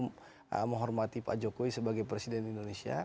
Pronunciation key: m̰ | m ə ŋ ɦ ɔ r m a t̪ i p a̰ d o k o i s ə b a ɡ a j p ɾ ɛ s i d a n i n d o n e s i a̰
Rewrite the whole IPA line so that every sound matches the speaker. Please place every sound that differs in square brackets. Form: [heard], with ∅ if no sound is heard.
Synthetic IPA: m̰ | m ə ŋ ɦ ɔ r m a t̪ i p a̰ [d͡ʒ] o k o i s ə b a ɡ a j p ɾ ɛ s i d [ɛ] n i n d o n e s i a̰